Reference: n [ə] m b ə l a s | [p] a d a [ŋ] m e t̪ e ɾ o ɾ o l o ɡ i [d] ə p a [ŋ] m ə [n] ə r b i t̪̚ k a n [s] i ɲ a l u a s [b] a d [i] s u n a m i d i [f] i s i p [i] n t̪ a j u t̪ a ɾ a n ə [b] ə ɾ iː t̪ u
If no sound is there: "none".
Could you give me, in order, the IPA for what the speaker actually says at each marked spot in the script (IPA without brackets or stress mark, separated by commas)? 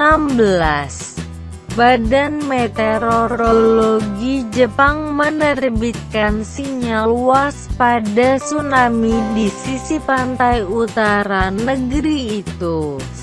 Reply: a, b, n, d͡ʒ, ŋ, n, s, p, a, s, a, ɡ